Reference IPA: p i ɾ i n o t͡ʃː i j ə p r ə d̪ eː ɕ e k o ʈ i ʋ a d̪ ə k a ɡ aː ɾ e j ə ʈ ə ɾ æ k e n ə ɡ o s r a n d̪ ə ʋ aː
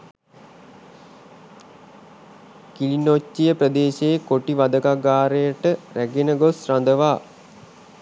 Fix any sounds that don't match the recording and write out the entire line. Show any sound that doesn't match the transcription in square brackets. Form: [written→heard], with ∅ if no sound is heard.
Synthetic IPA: [p→k] i [ɾ→l] i n o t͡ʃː i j ə p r ə d̪ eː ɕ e k o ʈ i ʋ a d̪ ə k a ɡ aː ɾ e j ə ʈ ə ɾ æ [k→ɡ] e n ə ɡ o s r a n d̪ ə ʋ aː